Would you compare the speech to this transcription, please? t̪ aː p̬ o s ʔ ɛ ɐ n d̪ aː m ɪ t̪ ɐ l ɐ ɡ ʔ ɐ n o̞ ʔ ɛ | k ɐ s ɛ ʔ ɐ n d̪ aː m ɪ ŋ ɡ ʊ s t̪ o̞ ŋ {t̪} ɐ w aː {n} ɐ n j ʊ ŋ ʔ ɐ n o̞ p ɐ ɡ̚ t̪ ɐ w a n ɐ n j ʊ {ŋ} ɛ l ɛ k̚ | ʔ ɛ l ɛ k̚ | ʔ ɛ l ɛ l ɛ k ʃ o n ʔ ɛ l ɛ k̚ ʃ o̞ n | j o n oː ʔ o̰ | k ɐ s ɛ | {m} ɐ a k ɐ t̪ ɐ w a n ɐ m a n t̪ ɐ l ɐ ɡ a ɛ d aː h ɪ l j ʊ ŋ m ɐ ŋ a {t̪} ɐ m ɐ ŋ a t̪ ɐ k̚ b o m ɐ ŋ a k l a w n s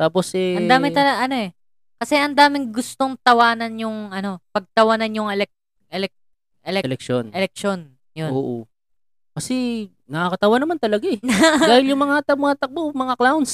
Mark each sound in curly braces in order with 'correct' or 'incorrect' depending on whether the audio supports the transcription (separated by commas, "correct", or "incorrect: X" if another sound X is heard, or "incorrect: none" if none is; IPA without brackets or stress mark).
correct, correct, correct, incorrect: n, correct